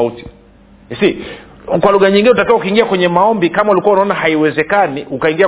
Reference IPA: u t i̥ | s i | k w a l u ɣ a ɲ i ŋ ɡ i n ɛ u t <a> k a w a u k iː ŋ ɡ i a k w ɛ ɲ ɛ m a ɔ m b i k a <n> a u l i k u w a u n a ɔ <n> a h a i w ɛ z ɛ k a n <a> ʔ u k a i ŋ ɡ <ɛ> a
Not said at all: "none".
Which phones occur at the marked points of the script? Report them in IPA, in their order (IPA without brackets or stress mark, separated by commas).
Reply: a, m, n, i, i